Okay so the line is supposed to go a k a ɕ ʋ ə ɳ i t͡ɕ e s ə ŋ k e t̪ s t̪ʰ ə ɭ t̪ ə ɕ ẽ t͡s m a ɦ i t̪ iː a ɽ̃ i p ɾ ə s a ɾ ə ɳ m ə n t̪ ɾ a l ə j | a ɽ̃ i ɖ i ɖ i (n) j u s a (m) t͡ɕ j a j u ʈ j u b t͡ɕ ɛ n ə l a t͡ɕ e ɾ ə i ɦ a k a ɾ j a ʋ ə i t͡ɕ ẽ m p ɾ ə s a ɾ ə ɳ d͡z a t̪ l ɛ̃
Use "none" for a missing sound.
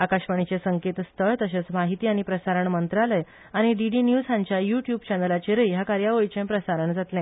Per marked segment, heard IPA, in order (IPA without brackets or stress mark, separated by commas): n, ɲ